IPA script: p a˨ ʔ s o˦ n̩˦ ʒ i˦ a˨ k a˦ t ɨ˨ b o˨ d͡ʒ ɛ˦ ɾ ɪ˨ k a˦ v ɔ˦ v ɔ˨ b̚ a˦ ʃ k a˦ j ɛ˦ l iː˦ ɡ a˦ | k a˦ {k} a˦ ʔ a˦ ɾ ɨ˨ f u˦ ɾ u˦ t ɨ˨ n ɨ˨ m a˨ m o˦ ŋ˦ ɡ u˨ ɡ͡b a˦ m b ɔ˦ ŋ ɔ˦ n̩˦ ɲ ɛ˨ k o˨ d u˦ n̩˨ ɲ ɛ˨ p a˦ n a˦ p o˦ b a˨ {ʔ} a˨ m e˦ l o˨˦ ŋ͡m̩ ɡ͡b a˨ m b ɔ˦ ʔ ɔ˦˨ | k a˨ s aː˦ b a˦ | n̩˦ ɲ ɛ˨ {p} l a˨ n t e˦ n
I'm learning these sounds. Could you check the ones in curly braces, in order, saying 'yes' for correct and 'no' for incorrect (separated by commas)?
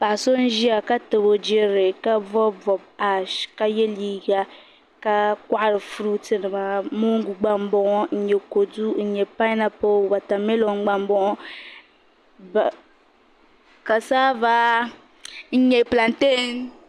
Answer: yes, no, yes